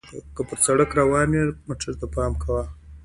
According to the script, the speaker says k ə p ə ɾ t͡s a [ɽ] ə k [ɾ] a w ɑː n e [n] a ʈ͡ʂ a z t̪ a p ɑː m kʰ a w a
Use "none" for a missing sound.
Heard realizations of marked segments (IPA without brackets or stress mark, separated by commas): ɽ, ɾ, m